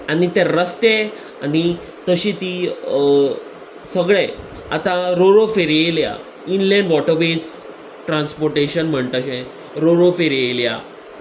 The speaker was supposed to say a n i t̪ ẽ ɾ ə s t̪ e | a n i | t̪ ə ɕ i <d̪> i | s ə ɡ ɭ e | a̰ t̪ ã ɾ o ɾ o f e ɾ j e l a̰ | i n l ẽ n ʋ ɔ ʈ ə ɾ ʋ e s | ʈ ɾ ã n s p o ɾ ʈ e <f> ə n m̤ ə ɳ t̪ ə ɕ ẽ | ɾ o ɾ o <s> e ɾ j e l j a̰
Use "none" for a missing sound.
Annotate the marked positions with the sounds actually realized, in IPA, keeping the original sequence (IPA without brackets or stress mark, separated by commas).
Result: t̪, ɕ, f